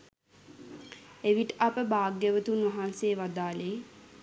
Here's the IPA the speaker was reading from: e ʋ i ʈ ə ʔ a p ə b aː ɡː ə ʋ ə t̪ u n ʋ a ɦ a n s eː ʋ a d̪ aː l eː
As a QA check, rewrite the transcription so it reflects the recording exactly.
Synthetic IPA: e ʋ i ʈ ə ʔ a p ə b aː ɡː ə ʋ ə t̪ u n ʋ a ɦ a n s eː ʋ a d̪ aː l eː